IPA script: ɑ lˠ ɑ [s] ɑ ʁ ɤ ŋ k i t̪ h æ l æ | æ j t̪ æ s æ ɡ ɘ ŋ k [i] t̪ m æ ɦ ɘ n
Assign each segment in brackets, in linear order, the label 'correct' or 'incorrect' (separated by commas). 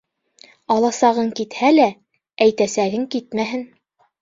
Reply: correct, correct